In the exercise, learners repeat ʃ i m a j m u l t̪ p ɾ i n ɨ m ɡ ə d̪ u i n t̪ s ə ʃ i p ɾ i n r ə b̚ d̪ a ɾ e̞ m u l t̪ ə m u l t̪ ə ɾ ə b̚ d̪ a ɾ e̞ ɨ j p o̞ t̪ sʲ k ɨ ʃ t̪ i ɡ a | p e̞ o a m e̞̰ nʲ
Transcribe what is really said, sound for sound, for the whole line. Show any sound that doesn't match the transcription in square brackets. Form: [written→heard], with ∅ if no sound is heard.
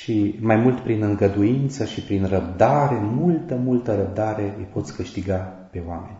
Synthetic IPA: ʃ i m a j m u l t̪ p ɾ i n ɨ [m→ŋ] ɡ ə d̪ u i n t̪ s ə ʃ i p ɾ i n r ə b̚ d̪ a ɾ e̞ m u l t̪ ə m u l t̪ ə ɾ ə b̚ d̪ a ɾ e̞ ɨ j p o̞ t̪ sʲ k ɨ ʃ t̪ i ɡ a | p e̞ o a m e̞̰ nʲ